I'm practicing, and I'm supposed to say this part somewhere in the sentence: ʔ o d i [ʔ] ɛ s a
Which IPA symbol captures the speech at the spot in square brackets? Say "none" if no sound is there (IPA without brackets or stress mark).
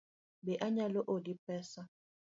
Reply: p